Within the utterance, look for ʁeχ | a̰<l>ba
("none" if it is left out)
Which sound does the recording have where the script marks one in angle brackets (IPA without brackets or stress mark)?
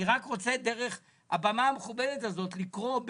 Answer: none